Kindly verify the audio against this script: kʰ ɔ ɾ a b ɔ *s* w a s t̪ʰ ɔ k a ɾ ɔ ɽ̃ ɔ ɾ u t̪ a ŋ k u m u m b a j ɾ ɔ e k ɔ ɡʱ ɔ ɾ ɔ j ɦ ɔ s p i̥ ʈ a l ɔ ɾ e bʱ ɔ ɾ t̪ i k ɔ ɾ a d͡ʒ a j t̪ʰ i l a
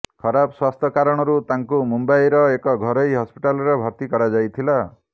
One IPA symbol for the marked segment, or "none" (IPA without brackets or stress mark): s